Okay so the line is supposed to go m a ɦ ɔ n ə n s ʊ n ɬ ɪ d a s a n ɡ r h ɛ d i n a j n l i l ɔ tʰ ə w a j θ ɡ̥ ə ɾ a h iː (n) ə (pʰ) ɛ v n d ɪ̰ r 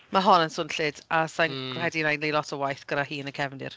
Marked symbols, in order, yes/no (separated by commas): yes, no